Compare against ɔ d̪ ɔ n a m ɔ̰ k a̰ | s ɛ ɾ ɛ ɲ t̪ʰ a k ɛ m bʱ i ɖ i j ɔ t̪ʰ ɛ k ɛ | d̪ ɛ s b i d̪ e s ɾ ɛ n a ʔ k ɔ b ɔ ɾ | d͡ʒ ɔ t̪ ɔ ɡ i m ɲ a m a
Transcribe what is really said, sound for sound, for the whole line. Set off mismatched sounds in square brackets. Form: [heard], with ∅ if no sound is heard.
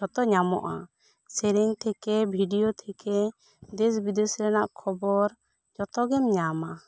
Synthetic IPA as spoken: ɔ [t̪] ɔ [ɲ] a m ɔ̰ [ʔ] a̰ | s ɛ ɾ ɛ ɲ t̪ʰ [ɛ] k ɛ [∅] bʱ i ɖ i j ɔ t̪ʰ ɛ k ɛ | d̪ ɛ s b i d̪ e s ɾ ɛ n a ʔ [kʰ] ɔ b ɔ ɾ | d͡ʒ ɔ t̪ ɔ ɡ [ɛ] m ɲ a m a